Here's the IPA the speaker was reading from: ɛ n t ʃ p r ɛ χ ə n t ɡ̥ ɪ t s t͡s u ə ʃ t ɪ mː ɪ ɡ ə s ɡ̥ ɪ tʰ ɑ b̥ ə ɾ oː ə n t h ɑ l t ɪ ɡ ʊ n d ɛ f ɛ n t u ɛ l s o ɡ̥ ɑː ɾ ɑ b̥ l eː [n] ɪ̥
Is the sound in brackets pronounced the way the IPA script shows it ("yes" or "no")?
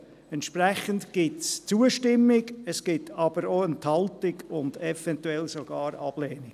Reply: yes